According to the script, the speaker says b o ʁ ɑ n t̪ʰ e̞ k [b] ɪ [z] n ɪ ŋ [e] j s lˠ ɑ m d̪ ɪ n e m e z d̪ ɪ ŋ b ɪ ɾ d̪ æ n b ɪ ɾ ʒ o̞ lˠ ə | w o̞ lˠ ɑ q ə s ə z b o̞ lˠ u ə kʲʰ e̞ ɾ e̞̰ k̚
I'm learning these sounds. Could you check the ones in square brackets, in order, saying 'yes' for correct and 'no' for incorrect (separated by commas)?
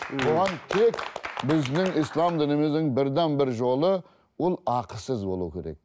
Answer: yes, yes, no